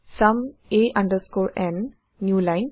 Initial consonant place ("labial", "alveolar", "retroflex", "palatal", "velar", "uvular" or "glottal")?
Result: alveolar